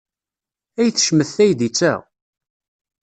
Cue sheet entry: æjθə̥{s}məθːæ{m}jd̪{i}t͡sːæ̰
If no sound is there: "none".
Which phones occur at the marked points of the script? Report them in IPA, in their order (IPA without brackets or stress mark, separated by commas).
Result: ʃ, none, i